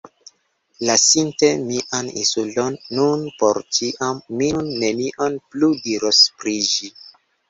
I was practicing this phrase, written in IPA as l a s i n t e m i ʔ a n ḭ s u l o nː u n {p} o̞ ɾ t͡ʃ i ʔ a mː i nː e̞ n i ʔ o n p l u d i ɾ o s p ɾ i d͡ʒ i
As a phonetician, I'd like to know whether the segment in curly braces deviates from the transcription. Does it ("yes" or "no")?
no